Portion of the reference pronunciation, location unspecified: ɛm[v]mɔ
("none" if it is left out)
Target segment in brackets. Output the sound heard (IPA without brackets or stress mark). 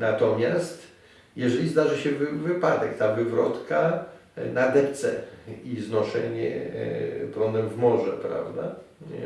v